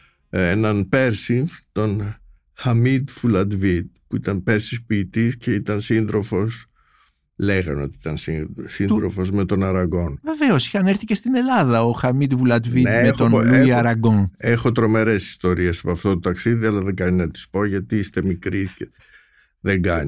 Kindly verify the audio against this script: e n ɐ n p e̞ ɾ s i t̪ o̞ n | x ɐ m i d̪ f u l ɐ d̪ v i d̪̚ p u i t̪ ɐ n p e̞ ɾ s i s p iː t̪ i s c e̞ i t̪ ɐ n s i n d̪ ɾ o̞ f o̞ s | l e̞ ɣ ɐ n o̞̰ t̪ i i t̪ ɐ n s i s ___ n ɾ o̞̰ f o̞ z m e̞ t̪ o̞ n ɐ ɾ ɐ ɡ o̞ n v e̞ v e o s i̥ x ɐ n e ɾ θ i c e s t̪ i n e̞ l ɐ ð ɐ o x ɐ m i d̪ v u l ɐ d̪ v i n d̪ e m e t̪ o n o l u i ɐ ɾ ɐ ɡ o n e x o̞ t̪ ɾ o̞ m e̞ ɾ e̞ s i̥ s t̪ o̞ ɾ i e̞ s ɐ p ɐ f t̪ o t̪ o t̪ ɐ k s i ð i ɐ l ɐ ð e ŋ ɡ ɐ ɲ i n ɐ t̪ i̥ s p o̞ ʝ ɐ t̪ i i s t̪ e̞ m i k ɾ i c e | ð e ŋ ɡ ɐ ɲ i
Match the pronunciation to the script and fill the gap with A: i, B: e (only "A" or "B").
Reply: A